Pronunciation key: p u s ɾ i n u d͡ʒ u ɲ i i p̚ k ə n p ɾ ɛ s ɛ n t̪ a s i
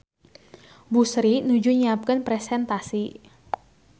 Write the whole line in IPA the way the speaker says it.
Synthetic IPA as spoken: b u s ɾ i n u d͡ʒ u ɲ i a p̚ k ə n p ɾ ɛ s ɛ n t̪ a s i